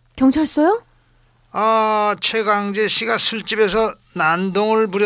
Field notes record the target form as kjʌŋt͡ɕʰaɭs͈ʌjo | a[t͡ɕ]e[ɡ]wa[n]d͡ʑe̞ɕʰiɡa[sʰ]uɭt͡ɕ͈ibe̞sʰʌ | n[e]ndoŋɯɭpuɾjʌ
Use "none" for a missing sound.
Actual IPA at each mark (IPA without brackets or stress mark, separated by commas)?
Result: t͡ɕʰ, ɡ, ŋ, sʰ, a